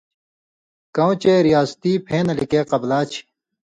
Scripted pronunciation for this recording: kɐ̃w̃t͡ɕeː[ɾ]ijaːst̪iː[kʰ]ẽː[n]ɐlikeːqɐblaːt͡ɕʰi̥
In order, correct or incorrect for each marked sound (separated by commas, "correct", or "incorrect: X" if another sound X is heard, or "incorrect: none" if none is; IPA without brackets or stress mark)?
correct, incorrect: pʰ, correct